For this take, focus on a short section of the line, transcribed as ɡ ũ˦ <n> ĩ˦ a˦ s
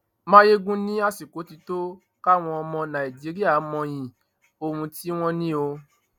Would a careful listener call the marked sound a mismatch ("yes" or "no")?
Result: no